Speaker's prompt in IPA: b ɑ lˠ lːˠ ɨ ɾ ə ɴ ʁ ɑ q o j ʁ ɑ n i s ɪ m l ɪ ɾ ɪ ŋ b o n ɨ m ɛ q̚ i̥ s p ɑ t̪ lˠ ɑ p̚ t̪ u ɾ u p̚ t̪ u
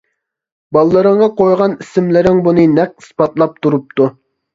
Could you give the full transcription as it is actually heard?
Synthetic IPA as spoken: b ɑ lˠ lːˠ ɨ ɾ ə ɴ ʁ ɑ q o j ʁ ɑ n i s ɪ m l ɪ ɾ ɪ ŋ b u n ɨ n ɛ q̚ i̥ s p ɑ t̪ lˠ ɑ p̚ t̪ u ɾ u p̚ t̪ u